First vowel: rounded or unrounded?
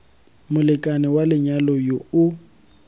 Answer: rounded